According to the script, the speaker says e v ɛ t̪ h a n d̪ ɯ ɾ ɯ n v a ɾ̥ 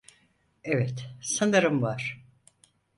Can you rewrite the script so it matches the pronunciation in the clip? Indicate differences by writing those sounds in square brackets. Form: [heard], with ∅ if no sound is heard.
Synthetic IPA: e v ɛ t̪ [s] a n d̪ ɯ ɾ ɯ [m] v a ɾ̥